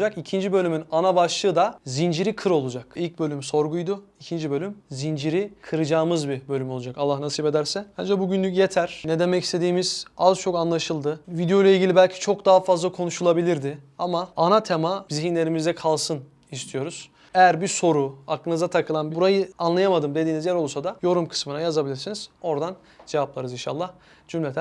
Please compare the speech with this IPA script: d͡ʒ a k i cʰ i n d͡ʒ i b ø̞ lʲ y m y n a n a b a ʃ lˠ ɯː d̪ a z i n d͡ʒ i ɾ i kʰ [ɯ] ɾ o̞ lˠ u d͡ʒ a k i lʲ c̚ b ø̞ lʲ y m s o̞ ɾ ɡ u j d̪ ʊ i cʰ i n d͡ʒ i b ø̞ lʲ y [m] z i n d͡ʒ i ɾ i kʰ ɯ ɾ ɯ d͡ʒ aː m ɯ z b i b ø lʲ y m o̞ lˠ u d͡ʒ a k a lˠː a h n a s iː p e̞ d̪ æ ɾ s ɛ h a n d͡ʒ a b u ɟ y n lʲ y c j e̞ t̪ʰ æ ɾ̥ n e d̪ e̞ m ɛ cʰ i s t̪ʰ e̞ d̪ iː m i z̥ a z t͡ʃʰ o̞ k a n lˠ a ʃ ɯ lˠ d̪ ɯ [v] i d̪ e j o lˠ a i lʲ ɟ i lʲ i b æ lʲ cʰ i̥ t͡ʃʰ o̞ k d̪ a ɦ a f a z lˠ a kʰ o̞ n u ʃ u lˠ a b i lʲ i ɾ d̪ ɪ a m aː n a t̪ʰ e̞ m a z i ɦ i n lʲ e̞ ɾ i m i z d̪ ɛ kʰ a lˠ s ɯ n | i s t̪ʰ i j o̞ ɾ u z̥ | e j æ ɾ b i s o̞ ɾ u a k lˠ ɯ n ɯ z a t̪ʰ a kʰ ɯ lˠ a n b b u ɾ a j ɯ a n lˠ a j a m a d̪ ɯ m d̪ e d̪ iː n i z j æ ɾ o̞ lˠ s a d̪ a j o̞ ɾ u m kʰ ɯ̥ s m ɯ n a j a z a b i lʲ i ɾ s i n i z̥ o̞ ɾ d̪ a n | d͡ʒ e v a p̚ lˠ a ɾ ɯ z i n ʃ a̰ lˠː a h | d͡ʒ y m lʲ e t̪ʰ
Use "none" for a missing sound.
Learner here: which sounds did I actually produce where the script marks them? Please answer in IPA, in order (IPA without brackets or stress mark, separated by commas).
ɯ, m, v